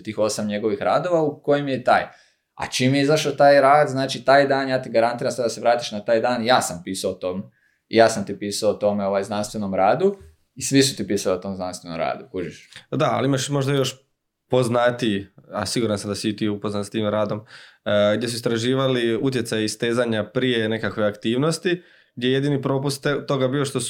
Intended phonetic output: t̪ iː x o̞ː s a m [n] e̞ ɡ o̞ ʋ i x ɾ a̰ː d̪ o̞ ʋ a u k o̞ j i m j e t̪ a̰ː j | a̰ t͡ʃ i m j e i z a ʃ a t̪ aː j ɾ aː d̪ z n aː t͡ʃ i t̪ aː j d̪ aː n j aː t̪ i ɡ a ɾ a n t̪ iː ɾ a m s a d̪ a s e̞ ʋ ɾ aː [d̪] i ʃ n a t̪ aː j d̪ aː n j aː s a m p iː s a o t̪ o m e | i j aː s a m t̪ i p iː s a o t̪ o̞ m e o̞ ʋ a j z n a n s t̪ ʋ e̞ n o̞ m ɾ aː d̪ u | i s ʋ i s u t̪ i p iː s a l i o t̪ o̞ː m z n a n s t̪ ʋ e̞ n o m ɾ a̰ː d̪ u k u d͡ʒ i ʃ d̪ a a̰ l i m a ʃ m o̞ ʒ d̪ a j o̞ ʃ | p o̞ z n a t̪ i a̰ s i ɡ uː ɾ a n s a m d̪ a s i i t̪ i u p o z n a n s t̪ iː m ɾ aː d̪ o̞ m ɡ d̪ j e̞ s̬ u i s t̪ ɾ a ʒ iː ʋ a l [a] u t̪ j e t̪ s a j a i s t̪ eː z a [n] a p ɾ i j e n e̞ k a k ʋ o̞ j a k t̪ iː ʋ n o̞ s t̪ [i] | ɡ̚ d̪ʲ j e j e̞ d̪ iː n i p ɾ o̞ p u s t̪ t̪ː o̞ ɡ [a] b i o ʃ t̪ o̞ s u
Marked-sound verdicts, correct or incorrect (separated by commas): incorrect, incorrect, incorrect, incorrect, correct, correct